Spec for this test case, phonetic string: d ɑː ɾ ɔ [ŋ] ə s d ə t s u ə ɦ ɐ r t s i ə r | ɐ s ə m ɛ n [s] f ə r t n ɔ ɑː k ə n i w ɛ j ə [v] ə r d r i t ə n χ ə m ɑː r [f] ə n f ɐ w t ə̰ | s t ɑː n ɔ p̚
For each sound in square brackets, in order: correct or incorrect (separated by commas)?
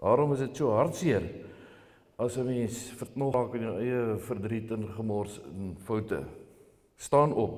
incorrect, correct, incorrect, incorrect